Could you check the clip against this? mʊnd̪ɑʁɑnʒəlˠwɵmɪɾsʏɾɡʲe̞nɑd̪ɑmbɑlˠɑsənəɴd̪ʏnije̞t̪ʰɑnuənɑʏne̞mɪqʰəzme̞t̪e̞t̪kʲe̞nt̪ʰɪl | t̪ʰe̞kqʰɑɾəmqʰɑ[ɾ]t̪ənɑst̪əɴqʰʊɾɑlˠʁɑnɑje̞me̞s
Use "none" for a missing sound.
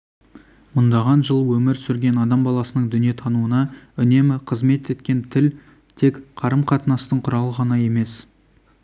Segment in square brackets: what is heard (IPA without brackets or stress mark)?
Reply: none